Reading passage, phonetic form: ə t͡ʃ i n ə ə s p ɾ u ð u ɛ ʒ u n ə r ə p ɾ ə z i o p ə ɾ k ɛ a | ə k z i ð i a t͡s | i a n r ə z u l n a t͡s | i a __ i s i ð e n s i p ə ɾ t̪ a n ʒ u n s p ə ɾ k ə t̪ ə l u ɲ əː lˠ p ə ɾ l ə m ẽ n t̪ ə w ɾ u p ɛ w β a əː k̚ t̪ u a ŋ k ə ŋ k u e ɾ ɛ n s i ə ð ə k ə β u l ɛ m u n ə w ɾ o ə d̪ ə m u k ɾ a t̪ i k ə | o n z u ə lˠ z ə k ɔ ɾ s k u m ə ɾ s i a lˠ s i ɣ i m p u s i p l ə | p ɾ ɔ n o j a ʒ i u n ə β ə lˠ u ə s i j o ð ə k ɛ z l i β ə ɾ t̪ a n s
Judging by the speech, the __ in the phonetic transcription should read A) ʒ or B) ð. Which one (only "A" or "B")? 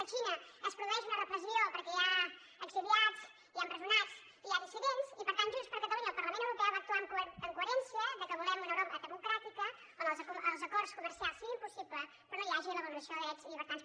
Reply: B